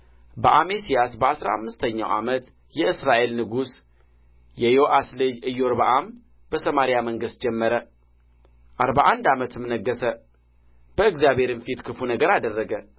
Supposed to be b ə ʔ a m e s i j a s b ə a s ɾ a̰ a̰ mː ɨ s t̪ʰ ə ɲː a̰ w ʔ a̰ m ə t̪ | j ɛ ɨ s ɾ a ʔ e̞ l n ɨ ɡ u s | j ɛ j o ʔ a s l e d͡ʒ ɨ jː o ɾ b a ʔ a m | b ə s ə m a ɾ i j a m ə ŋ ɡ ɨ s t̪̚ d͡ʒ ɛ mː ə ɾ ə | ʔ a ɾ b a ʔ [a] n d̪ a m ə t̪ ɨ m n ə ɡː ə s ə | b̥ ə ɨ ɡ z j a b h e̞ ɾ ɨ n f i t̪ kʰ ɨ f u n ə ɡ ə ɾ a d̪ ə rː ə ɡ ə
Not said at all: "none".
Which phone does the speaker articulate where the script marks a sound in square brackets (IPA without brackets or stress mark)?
a